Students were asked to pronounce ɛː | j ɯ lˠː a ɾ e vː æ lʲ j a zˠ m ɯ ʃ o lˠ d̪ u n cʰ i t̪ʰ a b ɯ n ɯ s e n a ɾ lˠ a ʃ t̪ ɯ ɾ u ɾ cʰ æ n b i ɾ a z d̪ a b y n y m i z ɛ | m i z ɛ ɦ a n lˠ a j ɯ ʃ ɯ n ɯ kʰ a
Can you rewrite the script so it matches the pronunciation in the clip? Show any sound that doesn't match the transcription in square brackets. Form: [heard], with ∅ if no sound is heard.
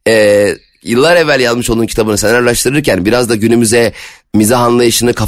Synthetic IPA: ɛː | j ɯ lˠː a ɾ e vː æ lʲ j a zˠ m ɯ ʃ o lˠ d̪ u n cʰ i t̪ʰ a b ɯ n ɯ s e n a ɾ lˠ a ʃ t̪ ɯ ɾ [ɯ] ɾ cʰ æ n b i ɾ a z d̪ a [ɟ] y n y m [y] z ɛ | m i z [a] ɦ a n lˠ a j ɯ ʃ ɯ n ɯ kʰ a